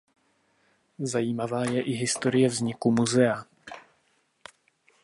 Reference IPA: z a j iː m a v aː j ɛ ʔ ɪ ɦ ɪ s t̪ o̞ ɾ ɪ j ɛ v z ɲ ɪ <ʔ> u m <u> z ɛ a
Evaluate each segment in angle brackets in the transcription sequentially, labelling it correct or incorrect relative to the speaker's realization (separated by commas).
incorrect, correct